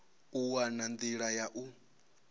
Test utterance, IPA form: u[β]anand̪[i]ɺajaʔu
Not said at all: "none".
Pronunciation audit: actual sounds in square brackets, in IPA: w, i

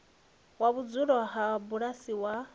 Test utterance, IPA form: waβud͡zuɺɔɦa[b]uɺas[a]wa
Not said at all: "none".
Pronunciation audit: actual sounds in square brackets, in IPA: b, i

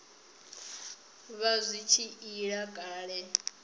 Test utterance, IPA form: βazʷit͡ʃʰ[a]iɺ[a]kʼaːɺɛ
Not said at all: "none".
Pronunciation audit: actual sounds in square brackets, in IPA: i, a

